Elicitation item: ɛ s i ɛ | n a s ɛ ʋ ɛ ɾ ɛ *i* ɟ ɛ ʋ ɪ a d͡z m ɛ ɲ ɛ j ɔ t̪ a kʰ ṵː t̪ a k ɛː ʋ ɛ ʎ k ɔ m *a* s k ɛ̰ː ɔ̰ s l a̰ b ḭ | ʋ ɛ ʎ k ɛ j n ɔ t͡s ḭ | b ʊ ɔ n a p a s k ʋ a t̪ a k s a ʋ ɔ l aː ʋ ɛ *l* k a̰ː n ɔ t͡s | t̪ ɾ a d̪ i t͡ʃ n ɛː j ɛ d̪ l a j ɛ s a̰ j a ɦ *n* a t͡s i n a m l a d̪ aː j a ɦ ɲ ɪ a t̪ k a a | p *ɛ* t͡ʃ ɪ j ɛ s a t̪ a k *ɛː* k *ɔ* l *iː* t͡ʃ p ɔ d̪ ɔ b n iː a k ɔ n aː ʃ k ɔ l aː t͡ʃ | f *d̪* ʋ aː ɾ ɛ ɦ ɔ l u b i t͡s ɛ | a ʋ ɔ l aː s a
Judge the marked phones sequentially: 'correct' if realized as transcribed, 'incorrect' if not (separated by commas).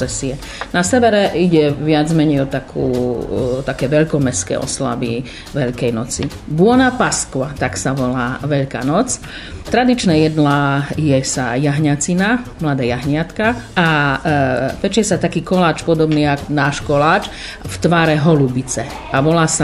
correct, incorrect, incorrect, incorrect, correct, incorrect, correct, incorrect, incorrect